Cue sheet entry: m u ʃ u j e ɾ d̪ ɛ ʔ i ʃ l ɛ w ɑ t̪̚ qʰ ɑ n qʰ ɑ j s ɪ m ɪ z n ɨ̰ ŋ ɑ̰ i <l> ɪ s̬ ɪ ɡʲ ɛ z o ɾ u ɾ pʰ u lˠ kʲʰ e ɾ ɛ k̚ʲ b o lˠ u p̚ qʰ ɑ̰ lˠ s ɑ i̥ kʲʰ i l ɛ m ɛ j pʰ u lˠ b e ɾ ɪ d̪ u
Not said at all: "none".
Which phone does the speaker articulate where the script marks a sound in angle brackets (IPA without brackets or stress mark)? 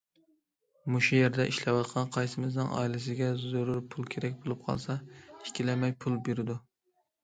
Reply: l